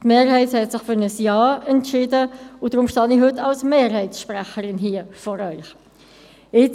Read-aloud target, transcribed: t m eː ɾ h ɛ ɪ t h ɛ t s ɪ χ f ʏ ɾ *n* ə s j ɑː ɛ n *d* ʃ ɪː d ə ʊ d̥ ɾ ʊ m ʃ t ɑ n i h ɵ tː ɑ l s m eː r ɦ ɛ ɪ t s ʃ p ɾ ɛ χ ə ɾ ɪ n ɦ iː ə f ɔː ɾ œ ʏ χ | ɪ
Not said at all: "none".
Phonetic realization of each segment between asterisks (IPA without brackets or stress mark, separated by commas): n, t